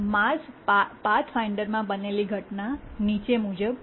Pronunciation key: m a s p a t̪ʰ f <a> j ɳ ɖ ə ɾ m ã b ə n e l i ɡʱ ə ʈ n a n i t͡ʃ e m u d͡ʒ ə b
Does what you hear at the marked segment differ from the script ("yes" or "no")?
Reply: no